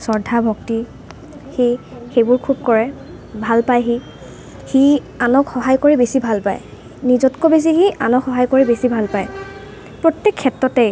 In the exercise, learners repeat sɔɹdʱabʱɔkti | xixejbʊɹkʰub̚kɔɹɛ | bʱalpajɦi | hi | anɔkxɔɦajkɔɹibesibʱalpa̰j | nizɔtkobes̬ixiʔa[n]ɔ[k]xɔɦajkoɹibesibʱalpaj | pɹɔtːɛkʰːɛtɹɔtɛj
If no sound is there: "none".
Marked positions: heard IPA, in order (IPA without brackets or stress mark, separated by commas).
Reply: n, k